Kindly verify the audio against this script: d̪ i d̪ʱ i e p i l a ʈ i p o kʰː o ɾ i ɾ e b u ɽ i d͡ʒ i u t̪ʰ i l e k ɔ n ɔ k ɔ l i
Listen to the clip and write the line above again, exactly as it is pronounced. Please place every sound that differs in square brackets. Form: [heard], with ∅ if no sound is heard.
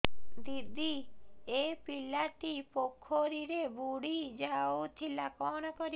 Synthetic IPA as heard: d̪ i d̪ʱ i e p i l a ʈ i p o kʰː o ɾ i ɾ e b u ɽ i d͡ʒ [a] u t̪ʰ i l [a] k ɔ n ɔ k ɔ [ɾ] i